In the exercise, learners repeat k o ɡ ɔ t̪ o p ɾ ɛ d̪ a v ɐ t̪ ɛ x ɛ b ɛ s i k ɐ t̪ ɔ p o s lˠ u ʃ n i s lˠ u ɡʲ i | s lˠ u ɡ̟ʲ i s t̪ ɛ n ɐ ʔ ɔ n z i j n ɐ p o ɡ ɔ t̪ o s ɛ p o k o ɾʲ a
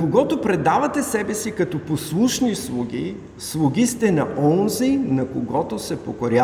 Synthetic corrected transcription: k o ɡ ɔ t̪ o p ɾ ɛ d̪ a v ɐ t̪ ɛ s ɛ b ɛ s i k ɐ t̪ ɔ p o s lˠ u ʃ n i s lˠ u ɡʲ i | s lˠ u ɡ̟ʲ i s t̪ ɛ n ɐ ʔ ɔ n z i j n ɐ k o ɡ ɔ t̪ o s ɛ p o k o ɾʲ a